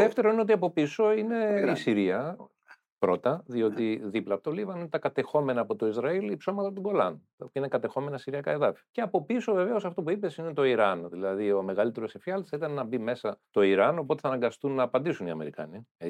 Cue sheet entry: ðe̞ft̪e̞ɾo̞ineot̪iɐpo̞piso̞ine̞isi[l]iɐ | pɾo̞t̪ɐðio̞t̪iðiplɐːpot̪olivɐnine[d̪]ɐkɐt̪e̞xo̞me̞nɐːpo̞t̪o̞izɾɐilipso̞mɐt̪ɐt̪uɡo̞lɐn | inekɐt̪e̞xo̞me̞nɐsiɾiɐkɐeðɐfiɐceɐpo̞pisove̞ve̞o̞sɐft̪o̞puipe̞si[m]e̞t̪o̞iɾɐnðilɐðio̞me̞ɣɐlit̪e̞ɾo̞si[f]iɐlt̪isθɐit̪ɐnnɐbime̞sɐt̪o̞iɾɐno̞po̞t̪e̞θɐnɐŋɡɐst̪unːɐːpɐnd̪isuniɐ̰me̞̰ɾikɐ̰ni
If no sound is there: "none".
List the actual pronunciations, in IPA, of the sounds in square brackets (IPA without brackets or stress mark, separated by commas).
ɾ, t̪, n, f